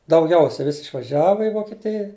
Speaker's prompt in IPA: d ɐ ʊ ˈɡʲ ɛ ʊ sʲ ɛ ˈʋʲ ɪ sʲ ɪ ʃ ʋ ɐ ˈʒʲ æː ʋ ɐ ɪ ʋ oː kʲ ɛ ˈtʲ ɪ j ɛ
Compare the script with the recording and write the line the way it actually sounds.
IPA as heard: d ɐ ʊ ˈɡʲ ɛ ʊ sʲ ɛ ˈʋʲ ɪ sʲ ɪ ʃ ʋ ɐ ˈʒʲ æː ʋ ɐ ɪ ʋ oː kʲ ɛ ˈtʲ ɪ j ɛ